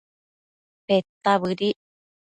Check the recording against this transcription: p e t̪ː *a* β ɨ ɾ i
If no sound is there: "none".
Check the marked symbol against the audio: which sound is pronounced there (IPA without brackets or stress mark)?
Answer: a